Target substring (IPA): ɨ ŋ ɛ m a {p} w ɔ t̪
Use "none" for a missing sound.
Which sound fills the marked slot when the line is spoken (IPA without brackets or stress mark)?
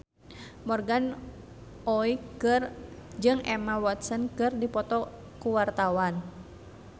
none